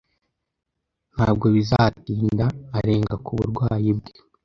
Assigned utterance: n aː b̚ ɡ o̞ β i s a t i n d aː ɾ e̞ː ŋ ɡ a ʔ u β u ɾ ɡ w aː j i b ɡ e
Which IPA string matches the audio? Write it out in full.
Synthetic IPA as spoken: n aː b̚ ɡ o̞ β i z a t iː n d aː ɾ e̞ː ŋ ɡ a k u β u ɾ ɡ w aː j i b ɡ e

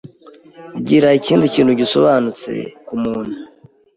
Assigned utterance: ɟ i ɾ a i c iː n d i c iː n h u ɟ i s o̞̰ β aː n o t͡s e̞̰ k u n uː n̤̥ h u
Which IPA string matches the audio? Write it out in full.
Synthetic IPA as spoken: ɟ i ɾ a i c iː n d i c iː n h u ɟ i s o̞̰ β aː n u t͡s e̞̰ k u m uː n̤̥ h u

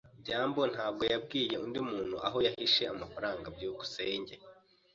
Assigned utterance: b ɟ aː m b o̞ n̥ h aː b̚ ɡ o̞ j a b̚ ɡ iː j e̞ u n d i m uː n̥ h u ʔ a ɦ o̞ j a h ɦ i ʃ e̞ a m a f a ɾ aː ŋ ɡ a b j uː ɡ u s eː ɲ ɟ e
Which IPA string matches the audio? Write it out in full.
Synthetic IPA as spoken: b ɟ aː m b o̞ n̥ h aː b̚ ɡ o̞ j a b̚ ɡ iː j e̞ u n d i m uː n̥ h u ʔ a ɦ o̞ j a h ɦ i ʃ e̞ a m a f a ɾ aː ŋ ɡ a b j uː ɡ u s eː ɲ ɟ e

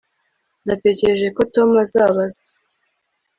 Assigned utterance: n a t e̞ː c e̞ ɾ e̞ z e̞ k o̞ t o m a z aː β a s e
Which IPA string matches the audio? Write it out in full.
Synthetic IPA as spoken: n a t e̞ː c e̞ ɾ e̞ ʒ e̞ k o̞ t o m a z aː β a z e

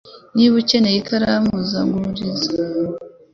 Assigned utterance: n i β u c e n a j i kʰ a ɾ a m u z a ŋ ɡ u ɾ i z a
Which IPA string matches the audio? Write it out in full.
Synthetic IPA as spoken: n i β u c e n e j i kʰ a ɾ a m u z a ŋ ɡ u ɾ i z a

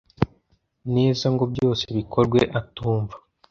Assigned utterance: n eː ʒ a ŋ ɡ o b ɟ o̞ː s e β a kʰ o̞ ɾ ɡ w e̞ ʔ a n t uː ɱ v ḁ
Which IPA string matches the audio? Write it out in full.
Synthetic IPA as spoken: n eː z a ŋ ɡ o b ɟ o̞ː s e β i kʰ o̞ ɾ ɡ w e̞ ʔ a t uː ɱ v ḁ

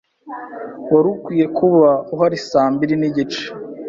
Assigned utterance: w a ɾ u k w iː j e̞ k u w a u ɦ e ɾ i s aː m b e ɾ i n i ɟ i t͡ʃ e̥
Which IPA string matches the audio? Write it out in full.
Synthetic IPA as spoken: w a ɾ u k w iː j e̞ k u β a u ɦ a ɾ i s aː m b i ɾ i n i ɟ i t͡ʃ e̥

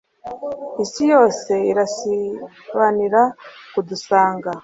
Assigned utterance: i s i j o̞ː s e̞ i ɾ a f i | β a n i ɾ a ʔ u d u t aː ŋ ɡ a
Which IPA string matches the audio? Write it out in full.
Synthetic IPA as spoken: i s i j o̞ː s e̞ i ɾ a s i | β a n i ɾ a k u d u s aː ŋ ɡ a

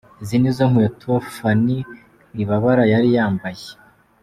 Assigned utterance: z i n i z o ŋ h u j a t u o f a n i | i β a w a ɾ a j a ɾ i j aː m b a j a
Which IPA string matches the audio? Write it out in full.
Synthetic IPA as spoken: z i n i z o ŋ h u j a t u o f a n i | i β a β a ɾ a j a ɾ i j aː m b a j e

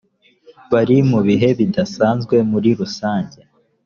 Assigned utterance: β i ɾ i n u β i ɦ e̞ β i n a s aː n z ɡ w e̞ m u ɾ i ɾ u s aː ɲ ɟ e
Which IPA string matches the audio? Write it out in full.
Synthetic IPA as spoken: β a ɾ i m u β i ɦ e̞ β i d a s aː n z ɡ w e̞ m u ɾ i ɾ u s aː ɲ ɟ e

